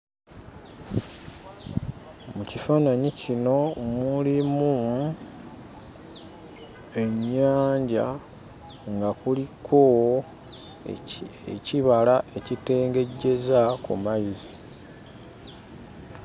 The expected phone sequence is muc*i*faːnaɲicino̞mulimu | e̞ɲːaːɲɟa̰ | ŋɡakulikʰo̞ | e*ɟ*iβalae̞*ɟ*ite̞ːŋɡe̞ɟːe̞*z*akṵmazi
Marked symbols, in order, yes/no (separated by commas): yes, no, no, yes